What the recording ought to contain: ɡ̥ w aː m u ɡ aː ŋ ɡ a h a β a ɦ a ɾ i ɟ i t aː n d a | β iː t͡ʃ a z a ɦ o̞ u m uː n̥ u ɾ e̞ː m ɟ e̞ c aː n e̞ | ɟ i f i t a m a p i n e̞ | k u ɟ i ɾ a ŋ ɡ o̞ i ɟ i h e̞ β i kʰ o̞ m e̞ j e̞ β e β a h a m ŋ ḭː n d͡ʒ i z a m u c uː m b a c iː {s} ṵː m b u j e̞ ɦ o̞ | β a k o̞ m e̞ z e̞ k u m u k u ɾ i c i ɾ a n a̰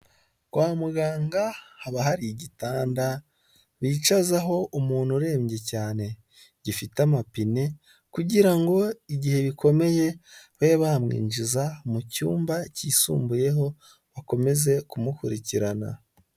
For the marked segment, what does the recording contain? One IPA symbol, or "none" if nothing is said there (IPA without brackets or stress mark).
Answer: s